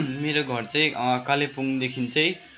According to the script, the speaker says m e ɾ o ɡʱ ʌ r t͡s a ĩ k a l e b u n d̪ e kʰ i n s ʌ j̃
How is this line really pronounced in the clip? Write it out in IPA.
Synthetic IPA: m e ɾ o ɡʱ ʌ r t͡s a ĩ k a l e p u ŋ d̪ e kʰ i n t͡s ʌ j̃